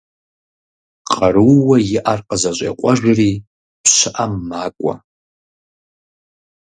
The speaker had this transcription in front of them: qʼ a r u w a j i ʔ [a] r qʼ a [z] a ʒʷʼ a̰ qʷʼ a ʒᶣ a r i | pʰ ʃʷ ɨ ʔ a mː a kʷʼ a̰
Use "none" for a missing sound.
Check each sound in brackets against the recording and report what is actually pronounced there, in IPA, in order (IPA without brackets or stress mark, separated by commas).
a, z